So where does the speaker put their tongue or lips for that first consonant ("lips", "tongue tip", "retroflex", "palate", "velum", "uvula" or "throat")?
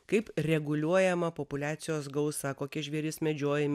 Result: velum